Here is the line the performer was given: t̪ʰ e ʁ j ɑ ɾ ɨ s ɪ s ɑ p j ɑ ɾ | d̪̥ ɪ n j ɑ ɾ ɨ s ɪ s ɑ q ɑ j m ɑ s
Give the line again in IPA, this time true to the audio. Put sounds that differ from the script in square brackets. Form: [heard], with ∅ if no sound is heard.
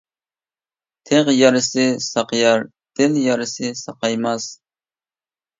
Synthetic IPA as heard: t̪ʰ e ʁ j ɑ ɾ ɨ s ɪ s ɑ [q] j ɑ ɾ | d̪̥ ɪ n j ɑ ɾ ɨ s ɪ s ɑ q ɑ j m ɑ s